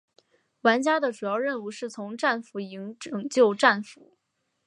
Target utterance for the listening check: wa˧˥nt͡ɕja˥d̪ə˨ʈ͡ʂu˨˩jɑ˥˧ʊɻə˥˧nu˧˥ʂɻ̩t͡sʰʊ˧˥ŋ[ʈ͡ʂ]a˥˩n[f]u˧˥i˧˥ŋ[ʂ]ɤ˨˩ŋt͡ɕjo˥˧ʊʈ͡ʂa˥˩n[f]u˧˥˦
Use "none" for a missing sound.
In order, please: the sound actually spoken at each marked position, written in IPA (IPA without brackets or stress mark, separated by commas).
ʈ͡ʂ, f, ʈ͡ʂ, f